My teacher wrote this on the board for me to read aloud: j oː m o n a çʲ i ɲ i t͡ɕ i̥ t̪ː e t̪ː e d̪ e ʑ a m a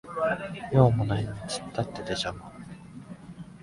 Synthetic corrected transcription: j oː m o n a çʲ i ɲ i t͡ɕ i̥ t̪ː a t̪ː e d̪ e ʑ a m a